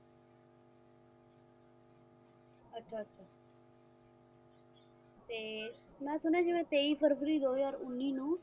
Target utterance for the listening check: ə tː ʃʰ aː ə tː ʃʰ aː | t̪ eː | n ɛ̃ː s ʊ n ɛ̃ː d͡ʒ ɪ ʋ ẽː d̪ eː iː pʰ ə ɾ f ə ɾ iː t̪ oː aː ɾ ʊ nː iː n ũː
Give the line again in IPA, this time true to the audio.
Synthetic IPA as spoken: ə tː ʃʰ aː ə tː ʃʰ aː | t̪ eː | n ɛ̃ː s ʊ n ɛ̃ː d͡ʒ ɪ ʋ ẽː t̪ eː iː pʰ ə ɾ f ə ɾ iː d̪ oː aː ɾ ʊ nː iː n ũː

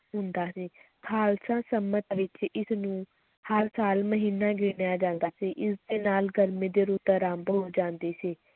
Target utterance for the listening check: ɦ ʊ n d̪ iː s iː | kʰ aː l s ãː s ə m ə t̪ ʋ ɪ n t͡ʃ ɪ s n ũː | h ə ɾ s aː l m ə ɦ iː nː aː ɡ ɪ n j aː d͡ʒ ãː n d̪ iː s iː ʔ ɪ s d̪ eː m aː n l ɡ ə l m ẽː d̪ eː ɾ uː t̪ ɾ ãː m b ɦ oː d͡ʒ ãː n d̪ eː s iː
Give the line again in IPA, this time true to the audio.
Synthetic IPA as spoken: ɦ ʊ n d̪ aː s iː | kʰ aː l s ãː s ə m ə t̪ ʋ ɪ t͡ʃ ɪ s n ũː | h ə ɾ s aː l m ə ɦ iː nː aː ɡ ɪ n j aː d͡ʒ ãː n d̪ aː s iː ʔ ɪ s d̪ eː n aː l ɡ ə ɾ m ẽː d̪ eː ɾ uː t̪ ɾ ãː m b ɦ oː d͡ʒ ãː n d̪ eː s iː

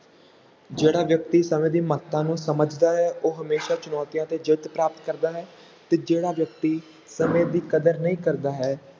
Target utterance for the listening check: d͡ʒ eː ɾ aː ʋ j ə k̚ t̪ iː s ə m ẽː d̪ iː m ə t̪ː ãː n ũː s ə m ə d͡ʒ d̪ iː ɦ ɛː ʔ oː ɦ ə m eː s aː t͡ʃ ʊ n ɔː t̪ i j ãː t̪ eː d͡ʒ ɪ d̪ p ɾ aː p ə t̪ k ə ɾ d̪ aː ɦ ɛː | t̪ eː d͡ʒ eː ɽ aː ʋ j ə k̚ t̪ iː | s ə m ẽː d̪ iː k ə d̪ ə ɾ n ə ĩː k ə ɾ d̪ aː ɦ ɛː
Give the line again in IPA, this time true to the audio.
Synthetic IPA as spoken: d͡ʒ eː ɽ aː ʋ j ə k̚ t̪ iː s ə m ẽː d̪ iː m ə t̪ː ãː n ũː s ə m ə d͡ʒ d̪ aː ɦ ɛː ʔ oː ɦ ə m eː ʃ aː t͡ʃ ʊ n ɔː t̪ i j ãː t̪ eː d͡ʒ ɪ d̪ p ɾ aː p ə t̪ k ə ɾ d̪ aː ɦ ɛː | t̪ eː d͡ʒ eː ɽ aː ʋ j ə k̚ t̪ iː | s ə m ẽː d̪ iː k ə d̪ ə ɾ n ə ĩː k ə ɾ d̪ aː ɦ ɛː

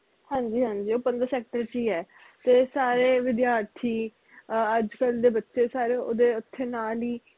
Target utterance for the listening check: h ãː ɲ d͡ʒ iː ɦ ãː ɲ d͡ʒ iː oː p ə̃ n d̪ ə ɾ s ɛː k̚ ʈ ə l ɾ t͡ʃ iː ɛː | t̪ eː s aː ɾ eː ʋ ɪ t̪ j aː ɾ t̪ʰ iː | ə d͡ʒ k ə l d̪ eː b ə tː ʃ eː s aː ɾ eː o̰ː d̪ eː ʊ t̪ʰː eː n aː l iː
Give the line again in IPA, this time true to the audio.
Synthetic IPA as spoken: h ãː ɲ d͡ʒ iː ɦ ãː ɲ d͡ʒ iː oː p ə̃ n d̪ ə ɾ s ɛː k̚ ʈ ə ɾ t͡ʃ iː ɛː | t̪ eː s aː ɾ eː ʋ ɪ d̪ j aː ɾ t̪ʰ iː | ə d͡ʒ k ə l d̪ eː b ə tː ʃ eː s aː ɾ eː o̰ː d̪ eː ʊ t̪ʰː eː n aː l iː

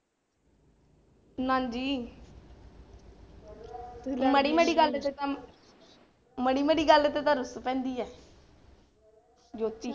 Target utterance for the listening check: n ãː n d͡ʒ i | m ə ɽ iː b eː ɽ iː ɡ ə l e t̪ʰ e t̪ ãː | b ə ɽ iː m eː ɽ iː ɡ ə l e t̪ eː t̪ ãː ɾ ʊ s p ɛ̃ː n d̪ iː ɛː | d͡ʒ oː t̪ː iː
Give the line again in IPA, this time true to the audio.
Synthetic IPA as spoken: n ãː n d͡ʒ iː | m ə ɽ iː m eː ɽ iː ɡ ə l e t̪ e t̪ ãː | m ə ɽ iː m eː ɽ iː ɡ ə l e t̪ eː t̪ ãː ɾ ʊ s p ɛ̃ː n d̪ iː ɛː | d͡ʒ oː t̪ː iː

